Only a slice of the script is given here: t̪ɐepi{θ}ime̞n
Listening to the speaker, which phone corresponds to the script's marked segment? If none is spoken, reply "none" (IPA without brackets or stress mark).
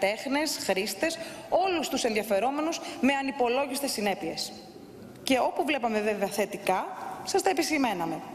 s